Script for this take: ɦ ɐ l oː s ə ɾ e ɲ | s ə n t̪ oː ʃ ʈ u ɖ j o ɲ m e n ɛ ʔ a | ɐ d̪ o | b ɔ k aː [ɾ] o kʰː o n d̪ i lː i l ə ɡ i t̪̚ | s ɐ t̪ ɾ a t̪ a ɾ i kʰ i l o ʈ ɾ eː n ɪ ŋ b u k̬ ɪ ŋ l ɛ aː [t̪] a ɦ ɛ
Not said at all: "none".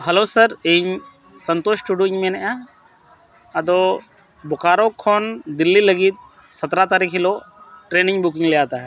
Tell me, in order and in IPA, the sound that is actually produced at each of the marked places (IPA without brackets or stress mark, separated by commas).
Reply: ɾ, t̪